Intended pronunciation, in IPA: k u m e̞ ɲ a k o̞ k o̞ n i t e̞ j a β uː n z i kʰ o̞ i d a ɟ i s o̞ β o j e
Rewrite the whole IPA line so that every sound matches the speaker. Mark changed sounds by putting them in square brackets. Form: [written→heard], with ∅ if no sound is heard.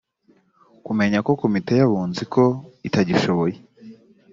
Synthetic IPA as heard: k u m e̞ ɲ a k o̞ k o̞ [n→m] i t e̞ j a β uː n z i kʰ o̞ i [d→t] a ɟ i [s→ʃ] o̞ β o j e

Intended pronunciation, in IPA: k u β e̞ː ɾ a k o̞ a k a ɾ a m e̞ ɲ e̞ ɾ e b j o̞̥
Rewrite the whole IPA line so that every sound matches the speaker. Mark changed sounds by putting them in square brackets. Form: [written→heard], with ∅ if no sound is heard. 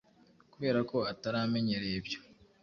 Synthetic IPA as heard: k u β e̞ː ɾ a k o̞ a [k→t] a ɾ a m e̞ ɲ e̞ ɾ e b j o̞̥

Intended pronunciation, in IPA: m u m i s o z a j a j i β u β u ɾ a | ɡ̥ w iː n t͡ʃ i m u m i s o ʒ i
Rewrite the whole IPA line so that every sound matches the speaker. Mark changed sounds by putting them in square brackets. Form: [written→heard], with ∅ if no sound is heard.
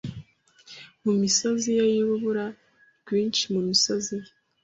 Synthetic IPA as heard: m u m i s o z [a→i] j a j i β u β u ɾ a | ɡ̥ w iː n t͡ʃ i m u m i s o [ʒ→z] i

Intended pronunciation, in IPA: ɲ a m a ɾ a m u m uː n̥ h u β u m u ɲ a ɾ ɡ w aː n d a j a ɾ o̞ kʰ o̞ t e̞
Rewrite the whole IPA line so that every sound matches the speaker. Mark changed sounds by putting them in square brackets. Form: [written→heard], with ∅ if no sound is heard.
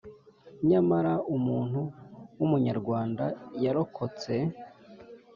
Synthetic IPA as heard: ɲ a m a ɾ a [m→∅] u m uː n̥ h u [β→w] u m u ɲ a ɾ ɡ w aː n d a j a ɾ o̞ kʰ o̞ [t→t͡s] e̞

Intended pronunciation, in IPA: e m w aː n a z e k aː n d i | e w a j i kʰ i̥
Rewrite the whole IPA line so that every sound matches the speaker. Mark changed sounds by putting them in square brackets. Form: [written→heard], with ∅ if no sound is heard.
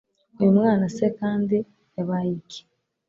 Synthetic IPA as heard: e m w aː n a [z→s] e k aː n d i | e [w→β] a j i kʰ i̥

